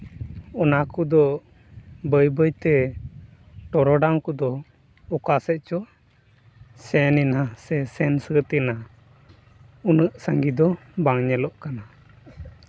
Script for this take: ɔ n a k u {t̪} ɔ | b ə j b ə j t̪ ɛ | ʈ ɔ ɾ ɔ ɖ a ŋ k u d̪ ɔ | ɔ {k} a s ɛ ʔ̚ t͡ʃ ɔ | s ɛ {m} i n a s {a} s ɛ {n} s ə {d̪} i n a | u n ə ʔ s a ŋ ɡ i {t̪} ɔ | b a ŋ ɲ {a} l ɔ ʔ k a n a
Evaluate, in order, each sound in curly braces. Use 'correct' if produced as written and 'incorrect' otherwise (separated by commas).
incorrect, correct, incorrect, incorrect, correct, incorrect, incorrect, incorrect